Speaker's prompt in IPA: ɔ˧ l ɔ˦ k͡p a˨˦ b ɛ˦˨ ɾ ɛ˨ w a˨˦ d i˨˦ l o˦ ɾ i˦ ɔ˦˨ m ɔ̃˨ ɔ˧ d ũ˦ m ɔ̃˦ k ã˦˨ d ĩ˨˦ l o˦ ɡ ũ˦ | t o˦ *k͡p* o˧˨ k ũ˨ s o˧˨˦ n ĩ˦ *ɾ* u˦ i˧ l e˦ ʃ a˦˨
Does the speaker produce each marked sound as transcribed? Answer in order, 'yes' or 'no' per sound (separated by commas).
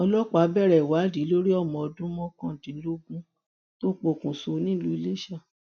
yes, no